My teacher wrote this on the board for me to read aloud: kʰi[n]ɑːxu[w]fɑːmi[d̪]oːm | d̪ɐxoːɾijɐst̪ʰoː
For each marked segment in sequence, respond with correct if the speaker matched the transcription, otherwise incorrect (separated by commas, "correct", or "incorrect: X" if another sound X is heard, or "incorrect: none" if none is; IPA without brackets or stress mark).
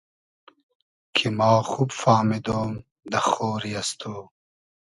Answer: incorrect: m, incorrect: b, correct